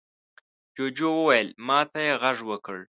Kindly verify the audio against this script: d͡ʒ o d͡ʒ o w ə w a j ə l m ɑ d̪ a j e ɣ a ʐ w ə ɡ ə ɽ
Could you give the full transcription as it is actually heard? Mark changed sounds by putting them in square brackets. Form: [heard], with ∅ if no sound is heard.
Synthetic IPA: d͡ʒ o d͡ʒ o w ə w a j ə l m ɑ [t̪] a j e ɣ a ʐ w ə [k] ə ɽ